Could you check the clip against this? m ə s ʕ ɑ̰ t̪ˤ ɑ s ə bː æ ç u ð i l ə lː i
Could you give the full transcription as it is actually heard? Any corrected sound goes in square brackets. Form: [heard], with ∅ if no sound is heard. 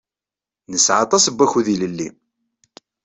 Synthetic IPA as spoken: [n] ə s ʕ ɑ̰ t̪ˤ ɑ s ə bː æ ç u ð i l ə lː i